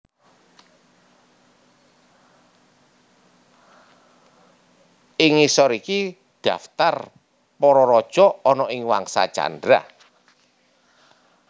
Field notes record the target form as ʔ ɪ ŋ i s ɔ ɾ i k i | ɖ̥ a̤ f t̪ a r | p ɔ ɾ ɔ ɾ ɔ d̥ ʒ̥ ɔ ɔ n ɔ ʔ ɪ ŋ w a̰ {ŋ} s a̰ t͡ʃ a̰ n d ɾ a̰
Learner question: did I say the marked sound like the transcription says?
yes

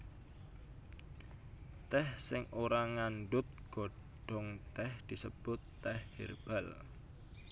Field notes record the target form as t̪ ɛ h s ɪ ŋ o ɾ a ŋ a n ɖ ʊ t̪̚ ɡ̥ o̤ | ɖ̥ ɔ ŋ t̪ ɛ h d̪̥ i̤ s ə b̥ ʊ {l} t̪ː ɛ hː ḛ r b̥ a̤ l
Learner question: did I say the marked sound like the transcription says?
no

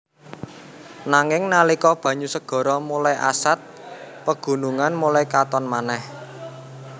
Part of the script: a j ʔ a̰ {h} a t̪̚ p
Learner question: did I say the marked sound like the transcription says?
no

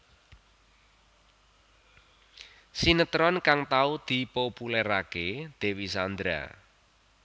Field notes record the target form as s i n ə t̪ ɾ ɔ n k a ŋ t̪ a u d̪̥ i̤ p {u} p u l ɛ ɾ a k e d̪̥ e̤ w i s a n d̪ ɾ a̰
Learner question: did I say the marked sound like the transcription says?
no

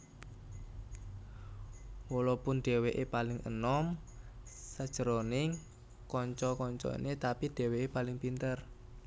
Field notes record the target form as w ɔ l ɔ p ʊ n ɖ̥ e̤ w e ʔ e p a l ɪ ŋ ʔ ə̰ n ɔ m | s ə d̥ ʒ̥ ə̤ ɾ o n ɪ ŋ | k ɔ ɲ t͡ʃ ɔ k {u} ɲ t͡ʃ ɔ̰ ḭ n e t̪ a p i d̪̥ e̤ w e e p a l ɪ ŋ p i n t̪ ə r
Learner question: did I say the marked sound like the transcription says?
no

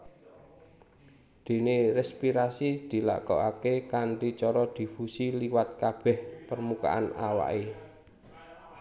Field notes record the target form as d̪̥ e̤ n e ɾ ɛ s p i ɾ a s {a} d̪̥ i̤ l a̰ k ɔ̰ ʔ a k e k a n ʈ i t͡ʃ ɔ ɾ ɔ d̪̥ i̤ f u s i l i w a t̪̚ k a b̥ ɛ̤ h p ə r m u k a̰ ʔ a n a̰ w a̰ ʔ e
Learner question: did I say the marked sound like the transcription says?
no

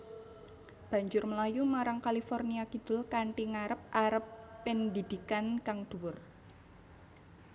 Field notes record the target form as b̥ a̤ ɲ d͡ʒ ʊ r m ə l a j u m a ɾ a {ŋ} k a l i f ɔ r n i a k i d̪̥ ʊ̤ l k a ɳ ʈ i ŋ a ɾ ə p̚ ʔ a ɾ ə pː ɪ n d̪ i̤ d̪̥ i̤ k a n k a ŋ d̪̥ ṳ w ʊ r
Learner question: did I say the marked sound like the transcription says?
yes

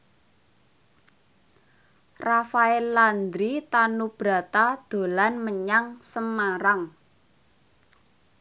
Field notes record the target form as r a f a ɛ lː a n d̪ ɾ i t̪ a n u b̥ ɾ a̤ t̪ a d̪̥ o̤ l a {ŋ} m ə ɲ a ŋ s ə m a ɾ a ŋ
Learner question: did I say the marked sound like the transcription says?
no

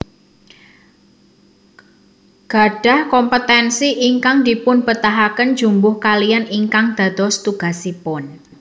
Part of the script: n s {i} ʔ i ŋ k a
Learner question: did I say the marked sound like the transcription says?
yes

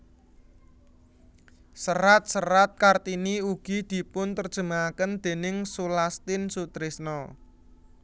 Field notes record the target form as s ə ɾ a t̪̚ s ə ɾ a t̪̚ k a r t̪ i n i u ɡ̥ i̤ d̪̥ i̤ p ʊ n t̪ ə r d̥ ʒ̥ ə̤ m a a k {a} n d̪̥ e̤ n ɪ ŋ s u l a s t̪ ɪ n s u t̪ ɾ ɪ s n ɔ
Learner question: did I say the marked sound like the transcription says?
no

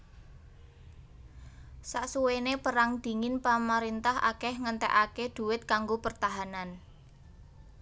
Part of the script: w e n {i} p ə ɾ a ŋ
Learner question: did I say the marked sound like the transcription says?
no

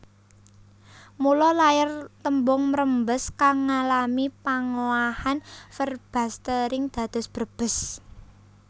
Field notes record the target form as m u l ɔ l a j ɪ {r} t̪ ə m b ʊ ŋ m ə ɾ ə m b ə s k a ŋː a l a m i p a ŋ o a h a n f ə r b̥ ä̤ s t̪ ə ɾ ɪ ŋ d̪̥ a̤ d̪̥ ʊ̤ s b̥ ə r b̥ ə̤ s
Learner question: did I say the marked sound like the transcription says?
yes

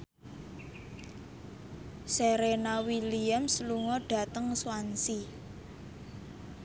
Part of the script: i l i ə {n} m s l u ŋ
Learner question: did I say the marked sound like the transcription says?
no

